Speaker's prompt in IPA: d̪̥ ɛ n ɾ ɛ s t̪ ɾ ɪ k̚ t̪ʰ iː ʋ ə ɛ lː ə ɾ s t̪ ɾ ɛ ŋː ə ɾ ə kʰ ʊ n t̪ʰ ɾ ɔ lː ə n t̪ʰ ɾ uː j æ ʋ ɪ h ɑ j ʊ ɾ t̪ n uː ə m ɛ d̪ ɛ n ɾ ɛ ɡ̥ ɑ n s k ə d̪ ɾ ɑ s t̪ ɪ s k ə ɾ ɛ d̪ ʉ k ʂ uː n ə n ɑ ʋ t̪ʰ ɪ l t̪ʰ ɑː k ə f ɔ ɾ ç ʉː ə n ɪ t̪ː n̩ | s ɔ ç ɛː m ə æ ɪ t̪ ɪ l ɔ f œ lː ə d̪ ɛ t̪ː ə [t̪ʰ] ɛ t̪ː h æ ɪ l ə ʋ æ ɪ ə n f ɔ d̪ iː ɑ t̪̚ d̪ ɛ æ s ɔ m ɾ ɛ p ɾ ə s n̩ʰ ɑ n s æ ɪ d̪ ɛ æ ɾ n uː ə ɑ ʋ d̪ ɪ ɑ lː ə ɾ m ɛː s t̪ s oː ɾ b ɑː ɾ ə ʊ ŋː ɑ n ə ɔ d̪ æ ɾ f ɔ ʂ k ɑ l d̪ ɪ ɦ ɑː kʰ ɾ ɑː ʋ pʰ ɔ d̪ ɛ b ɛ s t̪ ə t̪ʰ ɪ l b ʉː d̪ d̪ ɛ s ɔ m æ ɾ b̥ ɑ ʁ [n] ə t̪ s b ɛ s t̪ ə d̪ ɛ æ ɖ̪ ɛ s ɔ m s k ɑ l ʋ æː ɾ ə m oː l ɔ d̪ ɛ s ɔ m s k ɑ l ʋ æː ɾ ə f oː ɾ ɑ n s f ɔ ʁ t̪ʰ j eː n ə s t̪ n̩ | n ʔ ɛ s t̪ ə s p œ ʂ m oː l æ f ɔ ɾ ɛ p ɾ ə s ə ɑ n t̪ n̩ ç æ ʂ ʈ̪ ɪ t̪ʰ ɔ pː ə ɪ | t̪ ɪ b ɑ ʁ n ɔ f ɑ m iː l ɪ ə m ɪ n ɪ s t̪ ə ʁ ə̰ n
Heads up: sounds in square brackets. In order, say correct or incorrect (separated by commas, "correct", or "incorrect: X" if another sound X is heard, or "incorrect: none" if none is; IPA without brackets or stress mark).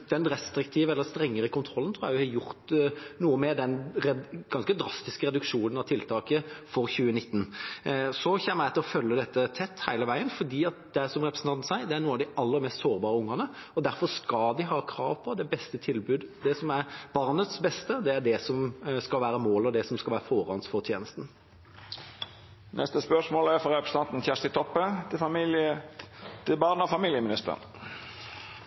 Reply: correct, correct